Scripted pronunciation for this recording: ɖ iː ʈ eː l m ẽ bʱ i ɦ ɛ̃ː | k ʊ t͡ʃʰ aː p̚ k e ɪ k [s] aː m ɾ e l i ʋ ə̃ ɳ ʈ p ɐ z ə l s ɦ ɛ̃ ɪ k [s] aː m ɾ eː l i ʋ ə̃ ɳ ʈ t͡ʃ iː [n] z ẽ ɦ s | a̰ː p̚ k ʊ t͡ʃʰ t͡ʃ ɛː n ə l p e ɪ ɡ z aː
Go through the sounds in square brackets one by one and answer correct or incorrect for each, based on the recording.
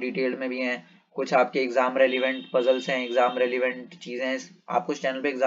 incorrect: z, incorrect: z, incorrect: none

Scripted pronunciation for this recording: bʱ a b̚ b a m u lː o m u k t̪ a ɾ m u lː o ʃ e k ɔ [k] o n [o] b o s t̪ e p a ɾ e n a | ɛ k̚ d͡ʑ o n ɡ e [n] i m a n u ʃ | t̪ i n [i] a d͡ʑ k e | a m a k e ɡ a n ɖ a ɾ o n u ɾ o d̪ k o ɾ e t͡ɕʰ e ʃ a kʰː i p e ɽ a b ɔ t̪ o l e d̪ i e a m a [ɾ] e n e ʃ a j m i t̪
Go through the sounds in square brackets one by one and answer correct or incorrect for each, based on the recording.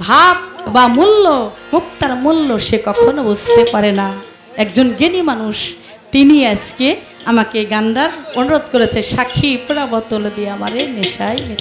incorrect: kʰ, correct, correct, correct, correct

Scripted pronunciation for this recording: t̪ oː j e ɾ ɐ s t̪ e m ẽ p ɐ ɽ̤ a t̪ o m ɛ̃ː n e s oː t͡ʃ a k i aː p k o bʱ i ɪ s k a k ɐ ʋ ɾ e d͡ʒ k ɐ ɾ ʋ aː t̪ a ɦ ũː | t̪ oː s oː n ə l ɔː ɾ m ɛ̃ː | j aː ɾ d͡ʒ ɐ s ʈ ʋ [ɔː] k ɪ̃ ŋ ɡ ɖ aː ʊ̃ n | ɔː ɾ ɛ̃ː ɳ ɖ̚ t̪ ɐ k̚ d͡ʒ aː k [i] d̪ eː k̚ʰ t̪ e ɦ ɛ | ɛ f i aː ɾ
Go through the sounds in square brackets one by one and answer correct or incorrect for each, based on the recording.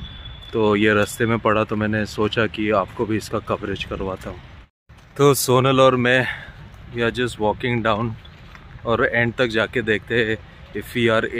correct, incorrect: e

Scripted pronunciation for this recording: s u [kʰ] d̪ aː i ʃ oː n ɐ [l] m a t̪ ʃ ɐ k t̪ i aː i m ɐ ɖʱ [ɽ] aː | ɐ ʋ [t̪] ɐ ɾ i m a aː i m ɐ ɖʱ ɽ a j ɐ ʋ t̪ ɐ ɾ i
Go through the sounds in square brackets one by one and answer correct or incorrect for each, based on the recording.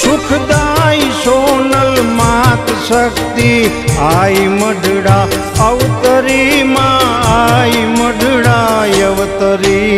correct, correct, correct, correct

